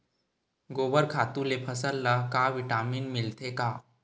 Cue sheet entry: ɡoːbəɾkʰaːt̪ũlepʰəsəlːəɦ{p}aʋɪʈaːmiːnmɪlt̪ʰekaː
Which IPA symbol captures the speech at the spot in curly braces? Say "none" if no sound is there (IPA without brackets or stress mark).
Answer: k